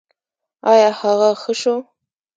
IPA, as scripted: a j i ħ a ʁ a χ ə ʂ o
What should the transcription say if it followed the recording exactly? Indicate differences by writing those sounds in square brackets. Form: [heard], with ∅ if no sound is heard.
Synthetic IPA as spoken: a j [a] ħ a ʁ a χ ə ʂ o